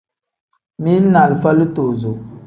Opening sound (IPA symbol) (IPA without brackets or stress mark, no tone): m